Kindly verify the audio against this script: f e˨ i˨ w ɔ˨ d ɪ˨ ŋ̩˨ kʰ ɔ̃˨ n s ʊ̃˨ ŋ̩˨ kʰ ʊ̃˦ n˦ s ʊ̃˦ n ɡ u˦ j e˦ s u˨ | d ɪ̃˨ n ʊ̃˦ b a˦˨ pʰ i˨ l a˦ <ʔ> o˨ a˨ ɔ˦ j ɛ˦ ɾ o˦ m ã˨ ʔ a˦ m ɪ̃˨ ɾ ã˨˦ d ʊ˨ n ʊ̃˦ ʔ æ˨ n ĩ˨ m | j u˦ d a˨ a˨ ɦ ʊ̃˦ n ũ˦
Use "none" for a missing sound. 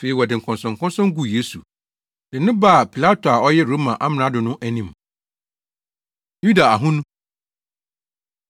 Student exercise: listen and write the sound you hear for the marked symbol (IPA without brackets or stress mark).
t